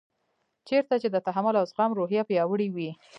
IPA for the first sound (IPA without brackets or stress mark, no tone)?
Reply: t͡ʃ